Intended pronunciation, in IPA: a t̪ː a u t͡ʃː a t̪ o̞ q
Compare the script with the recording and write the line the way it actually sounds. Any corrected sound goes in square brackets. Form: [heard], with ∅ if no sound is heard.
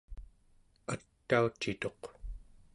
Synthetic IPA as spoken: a t̪ː a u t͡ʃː [i] t̪ o̞ q

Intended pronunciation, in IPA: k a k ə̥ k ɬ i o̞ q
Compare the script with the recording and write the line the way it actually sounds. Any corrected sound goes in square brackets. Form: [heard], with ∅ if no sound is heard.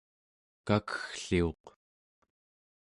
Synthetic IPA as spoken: k a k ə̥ [x] ɬ i o̞ q

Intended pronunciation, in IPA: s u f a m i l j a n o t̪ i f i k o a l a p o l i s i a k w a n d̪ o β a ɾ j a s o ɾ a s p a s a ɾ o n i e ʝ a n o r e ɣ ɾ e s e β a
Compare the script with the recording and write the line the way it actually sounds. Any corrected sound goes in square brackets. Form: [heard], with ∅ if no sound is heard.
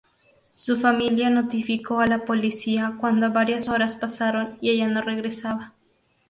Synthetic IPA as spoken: s u f a m i l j a n o t̪ i f i k o a l a p o l i s i a k w a n d̪ o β a ɾ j a s o ɾ a s p a s a ɾ o n i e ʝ a n o r e ɣ ɾ e s [a] β a

